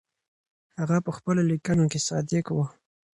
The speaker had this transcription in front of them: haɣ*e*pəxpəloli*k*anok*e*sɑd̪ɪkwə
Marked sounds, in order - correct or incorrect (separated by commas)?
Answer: incorrect, correct, correct